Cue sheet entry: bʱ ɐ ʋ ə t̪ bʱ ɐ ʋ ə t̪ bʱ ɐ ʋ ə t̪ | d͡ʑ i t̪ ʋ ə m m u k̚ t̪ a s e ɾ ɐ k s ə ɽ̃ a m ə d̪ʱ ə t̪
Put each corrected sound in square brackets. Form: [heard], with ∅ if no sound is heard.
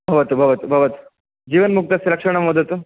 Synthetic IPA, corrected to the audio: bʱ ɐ ʋ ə t̪ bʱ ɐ ʋ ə t̪ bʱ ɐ ʋ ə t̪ | d͡ʑ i [∅] ʋ ə [n] m u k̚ t̪ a s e ɾ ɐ k [ʂ] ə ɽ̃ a m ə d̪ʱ ə t̪